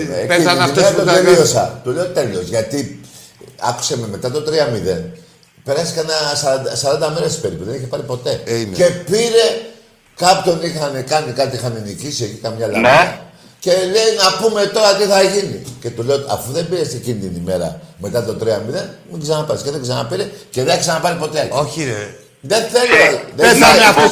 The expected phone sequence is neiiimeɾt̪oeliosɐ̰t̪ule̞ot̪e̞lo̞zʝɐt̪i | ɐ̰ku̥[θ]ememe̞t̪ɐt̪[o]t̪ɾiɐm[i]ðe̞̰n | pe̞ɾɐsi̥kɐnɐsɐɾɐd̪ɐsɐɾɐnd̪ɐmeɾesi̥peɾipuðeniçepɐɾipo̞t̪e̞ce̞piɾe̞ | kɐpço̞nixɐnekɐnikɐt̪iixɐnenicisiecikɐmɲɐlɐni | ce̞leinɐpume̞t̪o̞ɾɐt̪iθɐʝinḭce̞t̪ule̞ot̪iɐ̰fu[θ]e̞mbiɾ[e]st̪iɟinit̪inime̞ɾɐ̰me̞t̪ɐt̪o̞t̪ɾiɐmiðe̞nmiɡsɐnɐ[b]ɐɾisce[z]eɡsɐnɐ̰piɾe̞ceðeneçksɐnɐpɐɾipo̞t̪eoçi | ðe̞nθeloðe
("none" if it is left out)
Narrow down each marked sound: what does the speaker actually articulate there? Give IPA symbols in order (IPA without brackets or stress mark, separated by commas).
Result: s, o, i, ð, e, p, ð